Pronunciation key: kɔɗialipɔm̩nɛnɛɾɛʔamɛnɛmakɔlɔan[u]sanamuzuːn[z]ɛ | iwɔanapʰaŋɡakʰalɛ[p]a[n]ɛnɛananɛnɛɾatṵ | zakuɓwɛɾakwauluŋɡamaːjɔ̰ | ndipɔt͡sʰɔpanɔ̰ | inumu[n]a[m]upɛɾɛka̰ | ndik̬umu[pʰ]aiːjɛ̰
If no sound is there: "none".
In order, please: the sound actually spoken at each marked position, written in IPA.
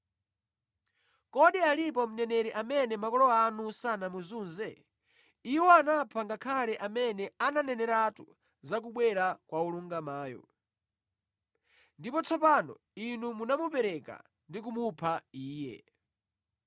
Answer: u, z, ʔ, m, n, m, pʰ

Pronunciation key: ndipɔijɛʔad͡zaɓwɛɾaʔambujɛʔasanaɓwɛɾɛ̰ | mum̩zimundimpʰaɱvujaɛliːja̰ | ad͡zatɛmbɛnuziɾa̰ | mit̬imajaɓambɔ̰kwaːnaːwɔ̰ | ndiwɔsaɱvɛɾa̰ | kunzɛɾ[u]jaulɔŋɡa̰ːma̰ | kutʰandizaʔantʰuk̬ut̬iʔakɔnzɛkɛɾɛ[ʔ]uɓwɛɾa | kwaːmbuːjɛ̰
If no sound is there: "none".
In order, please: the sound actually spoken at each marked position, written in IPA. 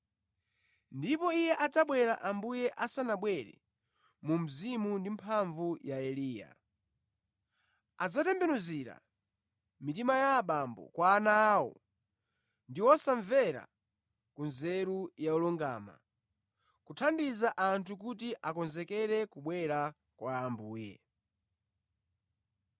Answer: u, k

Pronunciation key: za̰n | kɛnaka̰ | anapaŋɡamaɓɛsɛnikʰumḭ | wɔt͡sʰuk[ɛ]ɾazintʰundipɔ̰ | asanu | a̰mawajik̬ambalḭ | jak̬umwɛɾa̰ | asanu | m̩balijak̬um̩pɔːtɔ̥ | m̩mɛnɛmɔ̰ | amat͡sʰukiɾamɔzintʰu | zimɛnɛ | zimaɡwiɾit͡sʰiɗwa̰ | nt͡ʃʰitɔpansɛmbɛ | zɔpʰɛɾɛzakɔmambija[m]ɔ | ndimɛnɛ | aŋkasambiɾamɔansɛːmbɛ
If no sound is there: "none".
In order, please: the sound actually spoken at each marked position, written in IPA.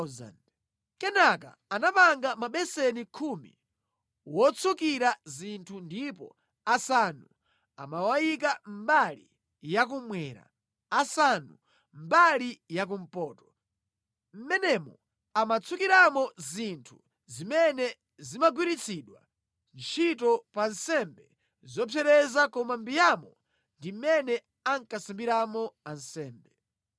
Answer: i, m

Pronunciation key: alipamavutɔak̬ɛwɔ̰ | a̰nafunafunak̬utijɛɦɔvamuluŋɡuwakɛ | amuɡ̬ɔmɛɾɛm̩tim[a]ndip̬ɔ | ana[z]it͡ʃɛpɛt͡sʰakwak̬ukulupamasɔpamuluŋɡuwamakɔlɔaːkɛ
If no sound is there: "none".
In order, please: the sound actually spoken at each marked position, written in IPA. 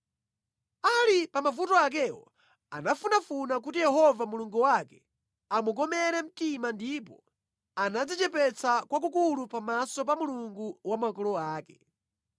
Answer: a, d͡z

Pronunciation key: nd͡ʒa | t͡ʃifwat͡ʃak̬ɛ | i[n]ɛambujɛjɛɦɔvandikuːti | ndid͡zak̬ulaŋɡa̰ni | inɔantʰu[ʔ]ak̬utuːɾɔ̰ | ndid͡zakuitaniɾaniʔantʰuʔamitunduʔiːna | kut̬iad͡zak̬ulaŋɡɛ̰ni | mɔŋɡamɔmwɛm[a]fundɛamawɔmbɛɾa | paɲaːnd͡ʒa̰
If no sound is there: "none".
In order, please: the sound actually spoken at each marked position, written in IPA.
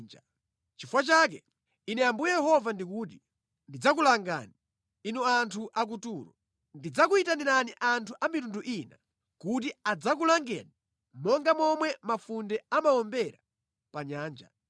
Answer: n, ʔ, a

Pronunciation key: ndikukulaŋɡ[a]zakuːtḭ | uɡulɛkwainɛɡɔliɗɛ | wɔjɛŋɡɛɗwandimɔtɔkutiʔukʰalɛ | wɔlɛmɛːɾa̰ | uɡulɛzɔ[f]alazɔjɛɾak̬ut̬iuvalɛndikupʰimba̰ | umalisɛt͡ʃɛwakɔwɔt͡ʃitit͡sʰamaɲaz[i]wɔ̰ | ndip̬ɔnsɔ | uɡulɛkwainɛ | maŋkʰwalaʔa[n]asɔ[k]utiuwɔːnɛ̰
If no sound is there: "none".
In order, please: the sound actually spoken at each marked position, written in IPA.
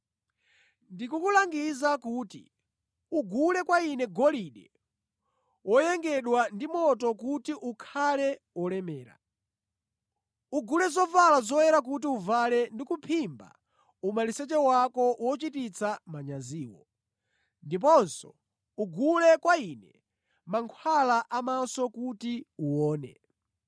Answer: i, v, iː, m, k

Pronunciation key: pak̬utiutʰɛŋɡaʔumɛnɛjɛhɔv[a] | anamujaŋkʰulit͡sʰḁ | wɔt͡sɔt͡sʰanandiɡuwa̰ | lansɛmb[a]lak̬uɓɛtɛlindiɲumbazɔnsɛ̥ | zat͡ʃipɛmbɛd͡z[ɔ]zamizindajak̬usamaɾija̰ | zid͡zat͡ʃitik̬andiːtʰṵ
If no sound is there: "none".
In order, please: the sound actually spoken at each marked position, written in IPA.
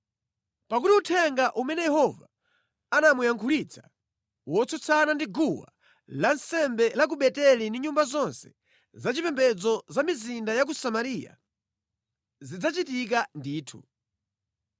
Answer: a, ɛ, ɔ

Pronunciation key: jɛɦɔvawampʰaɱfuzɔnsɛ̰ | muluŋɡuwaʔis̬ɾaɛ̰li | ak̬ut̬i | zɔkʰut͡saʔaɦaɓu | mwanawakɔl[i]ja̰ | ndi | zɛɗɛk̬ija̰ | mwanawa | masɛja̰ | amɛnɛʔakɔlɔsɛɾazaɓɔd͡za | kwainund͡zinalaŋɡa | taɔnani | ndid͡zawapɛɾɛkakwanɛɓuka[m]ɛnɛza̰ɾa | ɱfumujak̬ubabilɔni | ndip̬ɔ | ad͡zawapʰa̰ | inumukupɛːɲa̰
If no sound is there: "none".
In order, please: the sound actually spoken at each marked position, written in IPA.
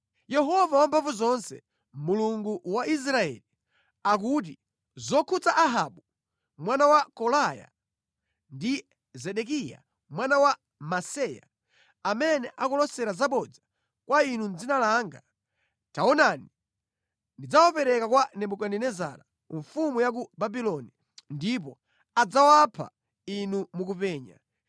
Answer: a, n

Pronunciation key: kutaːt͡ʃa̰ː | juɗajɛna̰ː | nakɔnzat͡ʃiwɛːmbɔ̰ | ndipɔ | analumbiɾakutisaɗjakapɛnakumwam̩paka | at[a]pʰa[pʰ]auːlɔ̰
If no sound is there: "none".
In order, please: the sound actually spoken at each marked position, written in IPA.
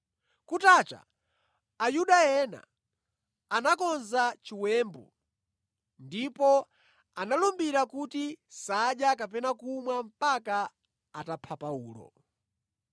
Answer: a, p

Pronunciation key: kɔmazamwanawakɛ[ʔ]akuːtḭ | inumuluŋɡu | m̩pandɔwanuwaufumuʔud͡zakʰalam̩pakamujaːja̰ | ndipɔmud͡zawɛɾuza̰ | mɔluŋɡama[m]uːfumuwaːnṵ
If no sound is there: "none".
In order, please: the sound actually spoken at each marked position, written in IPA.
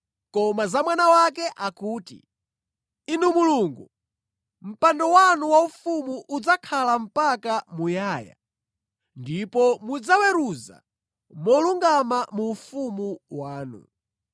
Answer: ʔ, m

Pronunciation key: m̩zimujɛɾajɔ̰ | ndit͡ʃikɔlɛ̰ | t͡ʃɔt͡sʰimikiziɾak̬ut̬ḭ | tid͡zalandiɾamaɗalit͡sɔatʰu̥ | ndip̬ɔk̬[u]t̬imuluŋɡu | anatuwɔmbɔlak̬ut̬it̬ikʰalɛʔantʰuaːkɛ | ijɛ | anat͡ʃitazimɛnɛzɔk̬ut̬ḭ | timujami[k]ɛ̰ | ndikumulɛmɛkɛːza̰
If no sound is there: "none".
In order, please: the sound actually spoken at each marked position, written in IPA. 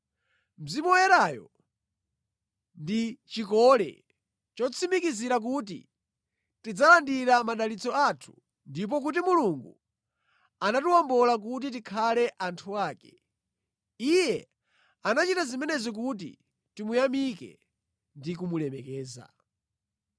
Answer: u, k

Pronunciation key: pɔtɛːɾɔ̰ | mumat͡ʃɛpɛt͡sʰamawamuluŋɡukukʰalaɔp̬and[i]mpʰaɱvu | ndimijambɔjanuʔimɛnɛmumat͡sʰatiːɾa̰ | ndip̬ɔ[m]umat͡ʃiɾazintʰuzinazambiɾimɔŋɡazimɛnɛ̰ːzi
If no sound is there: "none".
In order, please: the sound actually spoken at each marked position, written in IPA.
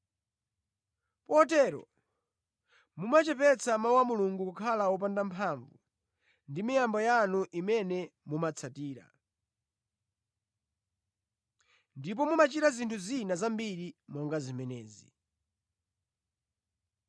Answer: a, m

